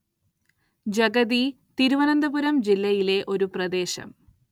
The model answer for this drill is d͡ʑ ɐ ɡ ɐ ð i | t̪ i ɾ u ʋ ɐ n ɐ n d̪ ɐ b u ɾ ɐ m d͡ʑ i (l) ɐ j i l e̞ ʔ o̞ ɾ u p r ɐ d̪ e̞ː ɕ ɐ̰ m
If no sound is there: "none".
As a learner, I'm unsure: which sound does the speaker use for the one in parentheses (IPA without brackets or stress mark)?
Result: lː